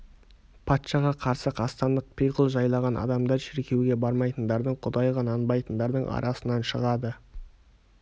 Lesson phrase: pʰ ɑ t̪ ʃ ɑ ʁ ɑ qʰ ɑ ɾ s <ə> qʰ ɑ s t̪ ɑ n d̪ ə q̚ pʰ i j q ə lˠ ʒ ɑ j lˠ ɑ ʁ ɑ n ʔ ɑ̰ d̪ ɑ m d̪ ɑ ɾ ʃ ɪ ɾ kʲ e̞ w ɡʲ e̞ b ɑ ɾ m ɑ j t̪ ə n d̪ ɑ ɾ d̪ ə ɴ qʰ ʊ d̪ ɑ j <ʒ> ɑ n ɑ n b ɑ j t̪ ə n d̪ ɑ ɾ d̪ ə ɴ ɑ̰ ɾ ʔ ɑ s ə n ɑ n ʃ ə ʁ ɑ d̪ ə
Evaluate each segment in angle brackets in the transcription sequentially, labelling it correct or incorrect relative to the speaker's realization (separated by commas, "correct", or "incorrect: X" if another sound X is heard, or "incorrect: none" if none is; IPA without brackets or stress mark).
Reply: correct, incorrect: ʁ